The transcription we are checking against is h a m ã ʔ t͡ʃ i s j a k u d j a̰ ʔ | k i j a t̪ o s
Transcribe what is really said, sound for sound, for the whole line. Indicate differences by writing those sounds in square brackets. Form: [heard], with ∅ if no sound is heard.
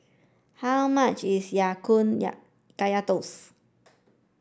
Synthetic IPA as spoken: h a m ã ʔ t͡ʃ i s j a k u [n] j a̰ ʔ | k [a] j a t̪ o s